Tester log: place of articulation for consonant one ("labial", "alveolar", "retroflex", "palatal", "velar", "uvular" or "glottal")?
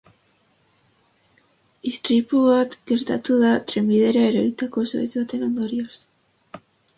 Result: alveolar